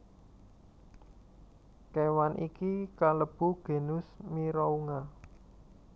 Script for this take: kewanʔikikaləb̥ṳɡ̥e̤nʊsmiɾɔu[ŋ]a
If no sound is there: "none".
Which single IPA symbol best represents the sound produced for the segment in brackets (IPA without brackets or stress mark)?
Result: ŋ